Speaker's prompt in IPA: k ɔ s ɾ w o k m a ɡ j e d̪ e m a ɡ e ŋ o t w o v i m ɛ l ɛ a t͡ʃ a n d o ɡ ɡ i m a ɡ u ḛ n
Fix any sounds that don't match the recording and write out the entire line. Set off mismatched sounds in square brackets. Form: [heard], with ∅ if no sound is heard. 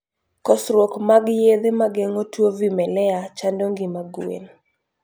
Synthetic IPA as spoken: k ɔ s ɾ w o k m a ɡ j e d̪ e m a ɡ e ŋ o t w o v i m ɛ l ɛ a t͡ʃ a n d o [ŋ] ɡ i m a ɡ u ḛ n